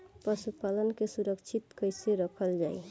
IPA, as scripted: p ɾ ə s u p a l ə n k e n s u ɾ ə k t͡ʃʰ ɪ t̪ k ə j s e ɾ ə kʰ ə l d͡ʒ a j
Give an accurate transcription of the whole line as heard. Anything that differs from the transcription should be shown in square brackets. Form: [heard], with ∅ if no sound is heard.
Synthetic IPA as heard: p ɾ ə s u p a l ə n k e [∅] s u ɾ ə k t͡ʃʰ [i] t̪ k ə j s e ɾ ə kʰ ə l d͡ʒ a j